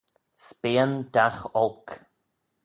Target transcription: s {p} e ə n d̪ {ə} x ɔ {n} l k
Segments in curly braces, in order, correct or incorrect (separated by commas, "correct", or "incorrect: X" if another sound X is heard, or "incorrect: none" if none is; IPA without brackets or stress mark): correct, incorrect: a, incorrect: none